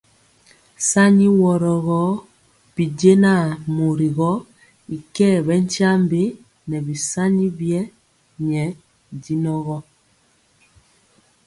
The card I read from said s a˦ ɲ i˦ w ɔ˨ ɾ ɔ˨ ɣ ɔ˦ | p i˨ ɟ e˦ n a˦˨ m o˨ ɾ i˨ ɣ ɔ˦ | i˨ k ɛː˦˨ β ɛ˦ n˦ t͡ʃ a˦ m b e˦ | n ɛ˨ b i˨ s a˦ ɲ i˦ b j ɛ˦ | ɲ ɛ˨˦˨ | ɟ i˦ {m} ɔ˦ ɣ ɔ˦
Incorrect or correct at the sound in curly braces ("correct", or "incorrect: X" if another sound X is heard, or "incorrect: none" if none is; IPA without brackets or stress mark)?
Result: incorrect: n